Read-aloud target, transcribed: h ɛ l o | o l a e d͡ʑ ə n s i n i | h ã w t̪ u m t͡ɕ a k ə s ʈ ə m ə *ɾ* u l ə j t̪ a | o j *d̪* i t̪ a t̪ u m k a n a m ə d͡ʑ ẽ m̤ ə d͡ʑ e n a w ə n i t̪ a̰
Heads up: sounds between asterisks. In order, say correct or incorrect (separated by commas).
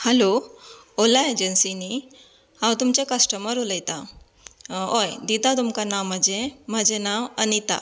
correct, correct